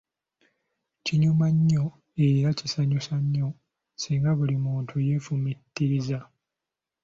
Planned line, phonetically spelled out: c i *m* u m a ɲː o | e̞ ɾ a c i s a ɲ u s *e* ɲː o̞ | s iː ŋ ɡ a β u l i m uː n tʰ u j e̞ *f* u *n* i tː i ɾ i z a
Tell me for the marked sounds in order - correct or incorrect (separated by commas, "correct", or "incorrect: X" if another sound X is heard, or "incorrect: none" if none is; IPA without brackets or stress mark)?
incorrect: ɲ, incorrect: a, correct, incorrect: m